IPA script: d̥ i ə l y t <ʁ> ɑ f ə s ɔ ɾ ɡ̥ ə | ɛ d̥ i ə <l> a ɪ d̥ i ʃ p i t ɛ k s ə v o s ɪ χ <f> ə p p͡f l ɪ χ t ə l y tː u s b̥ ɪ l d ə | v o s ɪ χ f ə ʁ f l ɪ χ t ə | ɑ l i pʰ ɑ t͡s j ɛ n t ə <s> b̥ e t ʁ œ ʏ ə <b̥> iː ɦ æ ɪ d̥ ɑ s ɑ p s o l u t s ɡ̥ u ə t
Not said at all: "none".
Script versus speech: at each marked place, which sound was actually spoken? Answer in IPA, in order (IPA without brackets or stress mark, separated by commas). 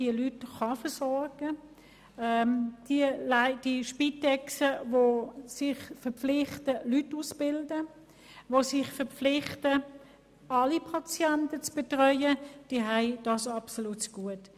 χ, l, f, t͡s, d̥